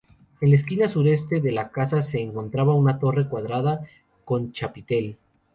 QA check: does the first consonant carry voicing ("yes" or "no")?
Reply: yes